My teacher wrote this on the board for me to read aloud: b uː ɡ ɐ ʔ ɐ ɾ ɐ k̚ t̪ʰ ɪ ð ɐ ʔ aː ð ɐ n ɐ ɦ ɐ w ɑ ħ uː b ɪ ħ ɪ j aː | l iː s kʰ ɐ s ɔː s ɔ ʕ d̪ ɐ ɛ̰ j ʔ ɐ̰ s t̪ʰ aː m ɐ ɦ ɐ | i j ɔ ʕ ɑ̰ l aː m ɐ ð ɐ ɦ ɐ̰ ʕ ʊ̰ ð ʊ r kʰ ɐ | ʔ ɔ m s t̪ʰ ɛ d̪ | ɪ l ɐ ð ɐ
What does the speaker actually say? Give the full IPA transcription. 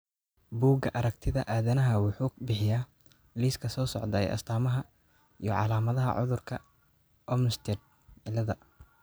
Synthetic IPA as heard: b uː ɡ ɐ ʔ ɐ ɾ ɐ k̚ t̪ʰ ɪ ð ɐ ʔ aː ð ɐ n ɐ ɦ ɐ w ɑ ħ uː b ɪ ħ ɪ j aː | l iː s kʰ ɐ s ɔː s ɔ ʕ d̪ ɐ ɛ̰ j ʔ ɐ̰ s t̪ʰ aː m ɐ ɦ ɐ | i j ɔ ʕ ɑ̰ l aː m ɐ ð ɐ ɦ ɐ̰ ʕ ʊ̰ ð ʊ r kʰ ɐ | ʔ ɔ m s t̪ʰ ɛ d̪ | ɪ l ɐ ð ɐ